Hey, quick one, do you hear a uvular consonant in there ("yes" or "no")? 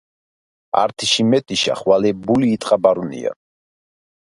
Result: yes